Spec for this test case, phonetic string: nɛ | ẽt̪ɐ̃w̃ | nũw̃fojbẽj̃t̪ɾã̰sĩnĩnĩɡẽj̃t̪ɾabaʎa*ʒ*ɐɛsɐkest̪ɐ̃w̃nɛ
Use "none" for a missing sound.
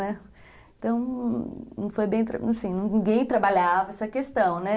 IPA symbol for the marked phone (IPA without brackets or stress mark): v